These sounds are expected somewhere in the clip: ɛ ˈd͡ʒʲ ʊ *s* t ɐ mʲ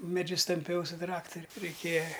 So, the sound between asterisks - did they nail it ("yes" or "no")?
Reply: yes